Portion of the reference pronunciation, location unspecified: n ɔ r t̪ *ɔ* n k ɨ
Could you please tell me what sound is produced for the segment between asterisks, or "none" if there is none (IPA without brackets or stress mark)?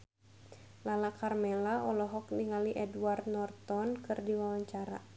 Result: ɔ